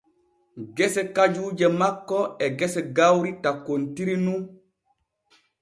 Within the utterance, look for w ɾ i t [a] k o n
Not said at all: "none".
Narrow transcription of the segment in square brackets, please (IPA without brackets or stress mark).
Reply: a